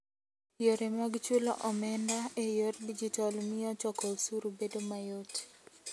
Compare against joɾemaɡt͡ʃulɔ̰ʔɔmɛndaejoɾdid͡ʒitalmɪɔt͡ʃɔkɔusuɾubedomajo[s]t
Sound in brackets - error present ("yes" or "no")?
yes